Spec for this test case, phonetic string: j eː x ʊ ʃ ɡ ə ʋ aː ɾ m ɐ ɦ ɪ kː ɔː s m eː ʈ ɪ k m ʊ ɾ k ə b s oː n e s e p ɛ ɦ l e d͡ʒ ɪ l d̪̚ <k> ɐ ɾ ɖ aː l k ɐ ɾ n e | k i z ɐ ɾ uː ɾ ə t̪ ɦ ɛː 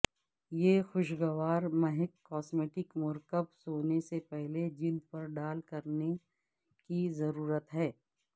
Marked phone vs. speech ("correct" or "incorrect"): incorrect